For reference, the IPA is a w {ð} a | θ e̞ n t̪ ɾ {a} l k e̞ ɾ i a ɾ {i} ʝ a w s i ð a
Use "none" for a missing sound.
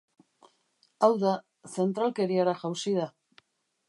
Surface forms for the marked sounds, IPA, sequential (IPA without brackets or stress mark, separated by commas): ð, a, a